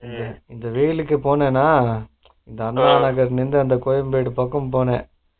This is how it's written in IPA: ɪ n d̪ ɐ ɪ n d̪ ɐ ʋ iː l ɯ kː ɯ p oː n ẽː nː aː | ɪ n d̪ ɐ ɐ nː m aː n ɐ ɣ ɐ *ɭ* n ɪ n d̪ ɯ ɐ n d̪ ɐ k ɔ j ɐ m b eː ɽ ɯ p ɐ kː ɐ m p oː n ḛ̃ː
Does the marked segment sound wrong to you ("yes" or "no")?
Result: yes